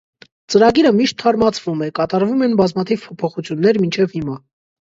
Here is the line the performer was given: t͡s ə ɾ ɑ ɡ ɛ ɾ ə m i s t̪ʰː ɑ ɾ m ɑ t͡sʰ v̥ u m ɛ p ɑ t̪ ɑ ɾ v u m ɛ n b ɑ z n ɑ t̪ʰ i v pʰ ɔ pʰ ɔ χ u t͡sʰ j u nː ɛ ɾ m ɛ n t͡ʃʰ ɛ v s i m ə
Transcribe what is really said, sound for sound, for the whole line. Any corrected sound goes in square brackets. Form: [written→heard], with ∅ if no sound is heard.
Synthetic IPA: t͡s ə ɾ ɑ ɡ [ɛ→i] ɾ ə m i [s→ʃ] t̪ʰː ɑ ɾ m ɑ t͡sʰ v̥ u m ɛ [p→k] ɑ t̪ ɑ ɾ v u m ɛ n b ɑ z [n→m] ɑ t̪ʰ i v pʰ ɔ pʰ ɔ χ u t͡sʰ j u nː ɛ ɾ m [ɛ→i] n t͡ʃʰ ɛ v [s→h] i m [ə→ɑ]

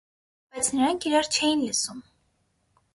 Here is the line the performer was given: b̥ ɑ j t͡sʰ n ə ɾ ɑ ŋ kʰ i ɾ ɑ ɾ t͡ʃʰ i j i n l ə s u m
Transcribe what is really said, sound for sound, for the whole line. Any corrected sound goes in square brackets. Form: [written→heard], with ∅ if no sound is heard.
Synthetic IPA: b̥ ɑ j t͡sʰ n ə ɾ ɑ ŋ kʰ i ɾ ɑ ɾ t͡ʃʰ [i→ɛ] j i n l ə s u m

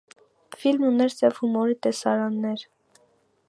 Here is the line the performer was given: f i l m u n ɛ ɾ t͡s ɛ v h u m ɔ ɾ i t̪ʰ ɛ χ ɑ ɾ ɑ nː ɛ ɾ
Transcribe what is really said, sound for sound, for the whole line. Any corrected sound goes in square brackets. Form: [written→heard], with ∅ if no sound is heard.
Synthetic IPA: f i l m u n ɛ ɾ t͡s ɛ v h u m ɔ ɾ i [t̪ʰ→t̪] ɛ [χ→s] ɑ ɾ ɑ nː ɛ ɾ

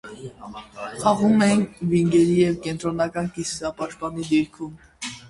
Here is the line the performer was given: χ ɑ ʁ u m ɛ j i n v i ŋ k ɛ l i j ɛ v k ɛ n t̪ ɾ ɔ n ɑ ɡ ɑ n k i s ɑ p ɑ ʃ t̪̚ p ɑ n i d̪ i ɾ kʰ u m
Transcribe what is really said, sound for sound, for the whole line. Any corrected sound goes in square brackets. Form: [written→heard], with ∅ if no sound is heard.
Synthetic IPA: χ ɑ ʁ u m ɛ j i n v i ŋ [k→ɡ] ɛ [l→ɾ] i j ɛ v k ɛ n t̪ ɾ ɔ n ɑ [ɡ→k] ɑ n k i s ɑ p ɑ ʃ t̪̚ p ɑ n i d̪ i ɾ kʰ u m

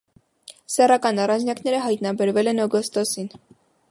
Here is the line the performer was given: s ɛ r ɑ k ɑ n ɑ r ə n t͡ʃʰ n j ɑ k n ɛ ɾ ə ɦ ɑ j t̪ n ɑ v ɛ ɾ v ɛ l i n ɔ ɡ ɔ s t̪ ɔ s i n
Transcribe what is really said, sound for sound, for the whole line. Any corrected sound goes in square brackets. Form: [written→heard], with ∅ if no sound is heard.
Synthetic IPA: s ɛ r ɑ k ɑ n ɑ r [ə→ɑ] n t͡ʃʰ n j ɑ k n ɛ ɾ ə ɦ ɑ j t̪ n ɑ [v→b] ɛ ɾ v ɛ l [i→ɛ] n ɔ ɡ ɔ s t̪ ɔ s i n

